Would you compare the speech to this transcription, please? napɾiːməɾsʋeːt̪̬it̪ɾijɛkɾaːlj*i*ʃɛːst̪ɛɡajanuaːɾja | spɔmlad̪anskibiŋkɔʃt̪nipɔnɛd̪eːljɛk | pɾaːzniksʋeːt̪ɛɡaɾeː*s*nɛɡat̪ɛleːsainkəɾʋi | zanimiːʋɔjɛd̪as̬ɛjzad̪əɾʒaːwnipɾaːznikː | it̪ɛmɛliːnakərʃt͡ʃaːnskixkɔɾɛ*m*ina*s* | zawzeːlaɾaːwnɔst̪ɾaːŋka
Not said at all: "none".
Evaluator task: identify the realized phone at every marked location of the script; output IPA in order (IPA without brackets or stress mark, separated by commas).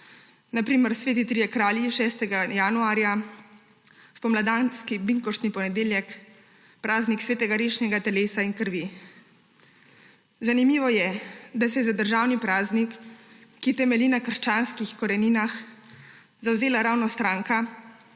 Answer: i, ʃ, n, x